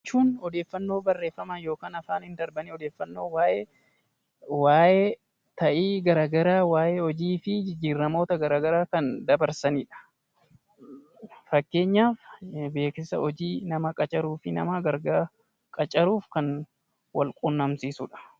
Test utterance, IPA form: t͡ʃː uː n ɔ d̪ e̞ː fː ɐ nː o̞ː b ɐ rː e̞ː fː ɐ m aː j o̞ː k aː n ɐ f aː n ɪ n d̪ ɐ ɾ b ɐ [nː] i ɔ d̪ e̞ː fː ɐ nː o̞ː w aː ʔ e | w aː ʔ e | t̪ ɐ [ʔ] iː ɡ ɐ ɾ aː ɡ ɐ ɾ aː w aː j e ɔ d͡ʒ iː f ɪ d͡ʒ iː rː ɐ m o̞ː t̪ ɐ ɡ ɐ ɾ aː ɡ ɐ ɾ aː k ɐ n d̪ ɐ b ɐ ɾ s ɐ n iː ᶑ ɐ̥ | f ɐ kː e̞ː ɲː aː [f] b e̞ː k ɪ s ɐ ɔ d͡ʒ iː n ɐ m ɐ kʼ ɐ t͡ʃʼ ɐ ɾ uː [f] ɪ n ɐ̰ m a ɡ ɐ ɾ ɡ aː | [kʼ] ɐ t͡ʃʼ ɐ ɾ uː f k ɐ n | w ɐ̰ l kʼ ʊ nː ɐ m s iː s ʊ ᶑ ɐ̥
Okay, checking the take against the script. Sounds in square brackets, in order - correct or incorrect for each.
incorrect: n, correct, correct, correct, correct

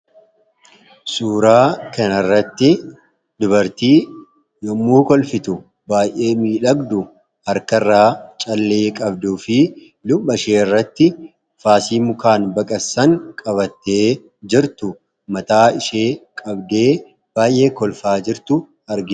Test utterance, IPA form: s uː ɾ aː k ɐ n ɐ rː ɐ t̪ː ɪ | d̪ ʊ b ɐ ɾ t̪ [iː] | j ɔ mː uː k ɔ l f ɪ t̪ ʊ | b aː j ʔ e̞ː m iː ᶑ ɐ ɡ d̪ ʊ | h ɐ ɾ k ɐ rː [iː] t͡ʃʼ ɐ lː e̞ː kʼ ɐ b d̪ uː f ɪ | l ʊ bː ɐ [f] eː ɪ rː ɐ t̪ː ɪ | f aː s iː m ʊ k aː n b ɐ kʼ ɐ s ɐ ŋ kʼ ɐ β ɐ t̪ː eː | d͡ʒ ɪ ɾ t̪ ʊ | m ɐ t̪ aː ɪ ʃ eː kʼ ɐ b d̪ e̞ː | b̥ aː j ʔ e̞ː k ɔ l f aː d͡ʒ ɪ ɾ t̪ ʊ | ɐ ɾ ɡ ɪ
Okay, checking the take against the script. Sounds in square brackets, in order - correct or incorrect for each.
correct, incorrect: aː, incorrect: ʃ

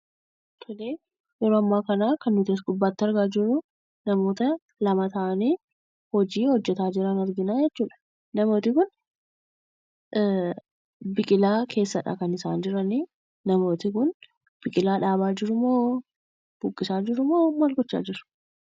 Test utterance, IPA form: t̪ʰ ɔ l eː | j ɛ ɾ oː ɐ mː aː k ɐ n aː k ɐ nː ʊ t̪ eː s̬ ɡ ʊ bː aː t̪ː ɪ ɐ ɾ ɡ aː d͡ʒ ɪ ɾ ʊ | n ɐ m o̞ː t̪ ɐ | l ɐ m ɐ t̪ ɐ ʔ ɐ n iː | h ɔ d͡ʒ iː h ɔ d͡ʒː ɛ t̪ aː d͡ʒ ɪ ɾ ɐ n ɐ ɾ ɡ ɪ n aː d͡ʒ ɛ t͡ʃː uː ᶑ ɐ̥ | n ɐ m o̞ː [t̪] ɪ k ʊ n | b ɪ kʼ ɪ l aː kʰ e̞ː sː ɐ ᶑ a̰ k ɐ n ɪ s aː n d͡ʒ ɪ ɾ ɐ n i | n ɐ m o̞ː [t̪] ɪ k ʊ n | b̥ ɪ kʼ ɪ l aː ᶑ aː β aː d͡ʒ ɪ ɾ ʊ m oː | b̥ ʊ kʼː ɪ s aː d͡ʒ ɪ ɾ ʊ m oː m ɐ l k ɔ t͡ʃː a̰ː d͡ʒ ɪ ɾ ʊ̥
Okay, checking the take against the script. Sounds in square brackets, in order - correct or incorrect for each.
correct, correct

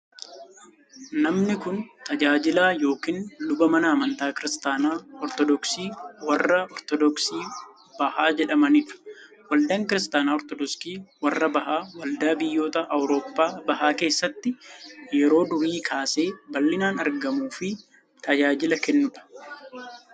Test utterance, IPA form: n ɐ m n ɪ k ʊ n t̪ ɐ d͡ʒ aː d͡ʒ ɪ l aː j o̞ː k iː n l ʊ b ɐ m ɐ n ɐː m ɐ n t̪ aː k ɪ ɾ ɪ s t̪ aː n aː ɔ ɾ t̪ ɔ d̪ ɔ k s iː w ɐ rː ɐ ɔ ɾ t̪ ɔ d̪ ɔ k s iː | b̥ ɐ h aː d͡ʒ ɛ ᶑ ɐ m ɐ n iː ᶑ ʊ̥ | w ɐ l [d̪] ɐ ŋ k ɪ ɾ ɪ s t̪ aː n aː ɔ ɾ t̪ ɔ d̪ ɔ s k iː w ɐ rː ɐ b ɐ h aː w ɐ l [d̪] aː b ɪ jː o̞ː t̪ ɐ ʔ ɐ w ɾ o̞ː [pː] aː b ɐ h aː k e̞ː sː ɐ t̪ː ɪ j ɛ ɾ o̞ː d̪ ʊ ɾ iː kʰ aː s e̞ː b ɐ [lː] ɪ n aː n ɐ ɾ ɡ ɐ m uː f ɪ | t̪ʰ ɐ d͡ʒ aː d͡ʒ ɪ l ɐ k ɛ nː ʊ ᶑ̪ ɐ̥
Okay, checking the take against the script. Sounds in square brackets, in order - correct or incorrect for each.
correct, correct, correct, correct

